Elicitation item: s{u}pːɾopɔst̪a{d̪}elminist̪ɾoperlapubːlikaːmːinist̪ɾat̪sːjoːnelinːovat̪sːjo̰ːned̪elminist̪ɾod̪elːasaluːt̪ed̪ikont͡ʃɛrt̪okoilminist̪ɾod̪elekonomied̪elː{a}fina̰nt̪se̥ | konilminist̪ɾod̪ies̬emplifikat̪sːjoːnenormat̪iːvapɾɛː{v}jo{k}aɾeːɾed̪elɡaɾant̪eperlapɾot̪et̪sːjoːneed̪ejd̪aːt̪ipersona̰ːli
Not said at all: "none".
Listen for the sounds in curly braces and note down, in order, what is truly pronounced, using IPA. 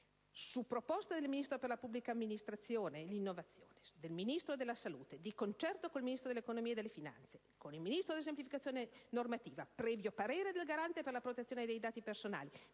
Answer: u, d̪, e, v, p

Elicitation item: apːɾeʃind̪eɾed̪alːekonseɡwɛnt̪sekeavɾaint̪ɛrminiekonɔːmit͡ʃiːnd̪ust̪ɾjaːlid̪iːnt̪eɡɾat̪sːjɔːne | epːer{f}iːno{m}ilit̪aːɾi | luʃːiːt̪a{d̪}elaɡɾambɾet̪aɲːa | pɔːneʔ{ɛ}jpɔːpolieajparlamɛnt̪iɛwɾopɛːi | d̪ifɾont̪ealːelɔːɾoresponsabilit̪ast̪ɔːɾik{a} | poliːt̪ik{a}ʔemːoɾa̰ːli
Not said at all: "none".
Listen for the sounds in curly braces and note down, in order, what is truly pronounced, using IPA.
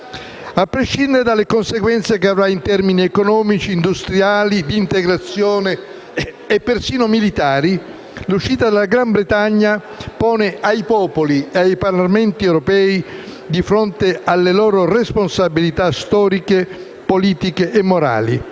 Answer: s, m, d̪, a, e, e

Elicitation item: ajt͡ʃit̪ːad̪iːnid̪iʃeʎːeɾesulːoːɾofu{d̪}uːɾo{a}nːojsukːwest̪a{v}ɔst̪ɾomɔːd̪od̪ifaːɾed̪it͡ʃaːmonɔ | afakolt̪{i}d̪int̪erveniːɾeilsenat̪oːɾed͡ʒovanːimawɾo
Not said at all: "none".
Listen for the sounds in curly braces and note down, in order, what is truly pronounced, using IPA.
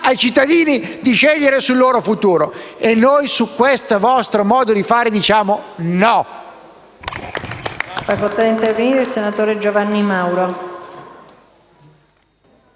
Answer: t̪, e, v, a

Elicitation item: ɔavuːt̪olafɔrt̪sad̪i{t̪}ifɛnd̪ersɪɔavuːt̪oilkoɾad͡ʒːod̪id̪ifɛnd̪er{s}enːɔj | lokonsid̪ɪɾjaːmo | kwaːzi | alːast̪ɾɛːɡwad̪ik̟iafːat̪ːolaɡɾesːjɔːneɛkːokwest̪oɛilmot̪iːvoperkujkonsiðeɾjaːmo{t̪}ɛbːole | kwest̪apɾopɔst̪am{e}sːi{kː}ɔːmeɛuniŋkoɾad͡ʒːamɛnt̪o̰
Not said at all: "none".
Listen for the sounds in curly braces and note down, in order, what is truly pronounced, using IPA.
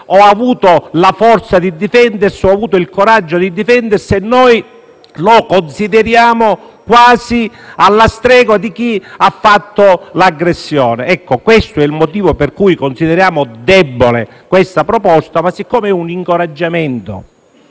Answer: d̪, s, d̪, a, kː

